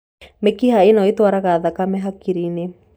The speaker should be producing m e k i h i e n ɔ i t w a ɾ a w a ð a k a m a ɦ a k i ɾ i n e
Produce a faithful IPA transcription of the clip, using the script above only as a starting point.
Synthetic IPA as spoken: m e k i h a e n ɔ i t w a ɾ a ɣ a ð a k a m ɛ ɦ a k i ɾ i n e